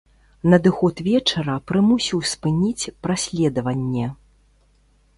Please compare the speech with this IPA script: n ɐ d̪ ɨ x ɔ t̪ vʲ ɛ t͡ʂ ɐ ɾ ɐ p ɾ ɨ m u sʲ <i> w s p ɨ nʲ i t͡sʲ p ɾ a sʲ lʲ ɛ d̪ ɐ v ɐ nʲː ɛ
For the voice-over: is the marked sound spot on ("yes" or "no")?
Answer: yes